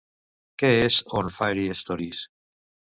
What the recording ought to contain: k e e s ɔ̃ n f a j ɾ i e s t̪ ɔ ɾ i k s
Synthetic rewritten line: k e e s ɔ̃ n f a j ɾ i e s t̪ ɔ ɾ i s